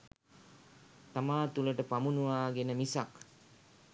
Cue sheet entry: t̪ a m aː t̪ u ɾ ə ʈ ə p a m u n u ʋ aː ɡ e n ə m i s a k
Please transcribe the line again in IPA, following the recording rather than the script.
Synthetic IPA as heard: t̪ a m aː t̪ u l ə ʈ ə p a m u n u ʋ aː ɡ e n ə m i s a k